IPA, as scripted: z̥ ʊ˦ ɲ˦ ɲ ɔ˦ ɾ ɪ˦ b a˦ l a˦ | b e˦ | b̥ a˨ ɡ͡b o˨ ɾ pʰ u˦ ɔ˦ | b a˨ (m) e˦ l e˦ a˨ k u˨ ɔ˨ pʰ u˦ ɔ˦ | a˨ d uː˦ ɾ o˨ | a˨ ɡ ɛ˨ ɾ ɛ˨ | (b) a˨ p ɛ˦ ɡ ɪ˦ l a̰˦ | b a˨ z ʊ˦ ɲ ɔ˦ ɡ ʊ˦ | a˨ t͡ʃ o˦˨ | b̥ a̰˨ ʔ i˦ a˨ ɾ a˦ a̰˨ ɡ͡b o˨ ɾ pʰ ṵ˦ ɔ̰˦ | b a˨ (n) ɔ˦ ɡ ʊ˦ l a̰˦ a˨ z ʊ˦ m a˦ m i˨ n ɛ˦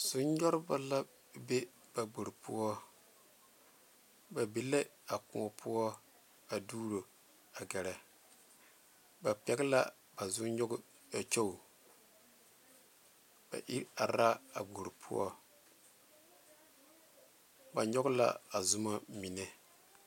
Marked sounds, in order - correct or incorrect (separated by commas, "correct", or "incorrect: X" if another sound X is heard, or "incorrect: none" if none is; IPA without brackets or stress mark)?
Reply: incorrect: b, correct, incorrect: ɲ